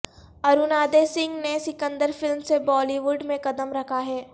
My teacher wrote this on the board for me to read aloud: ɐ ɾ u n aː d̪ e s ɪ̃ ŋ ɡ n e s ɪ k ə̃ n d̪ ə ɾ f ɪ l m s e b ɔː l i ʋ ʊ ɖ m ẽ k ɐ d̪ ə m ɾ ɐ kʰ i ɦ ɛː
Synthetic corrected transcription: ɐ ɾ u n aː d̪ e s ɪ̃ ŋ ɡ n e s ɪ k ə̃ n d̪ ə ɾ f ɪ l m s e b ɔː l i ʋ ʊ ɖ m ẽ k ɐ d̪ ə m ɾ ɐ kʰ a ɦ ɛː